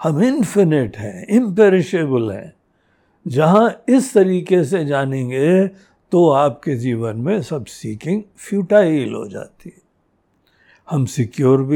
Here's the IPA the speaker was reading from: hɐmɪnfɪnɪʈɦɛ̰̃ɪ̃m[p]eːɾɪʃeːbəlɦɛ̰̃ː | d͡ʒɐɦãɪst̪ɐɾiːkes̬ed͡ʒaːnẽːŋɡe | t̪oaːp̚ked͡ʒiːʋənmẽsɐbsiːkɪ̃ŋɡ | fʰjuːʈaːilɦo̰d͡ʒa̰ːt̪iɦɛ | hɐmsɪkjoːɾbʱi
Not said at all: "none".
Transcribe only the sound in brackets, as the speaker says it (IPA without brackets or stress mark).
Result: p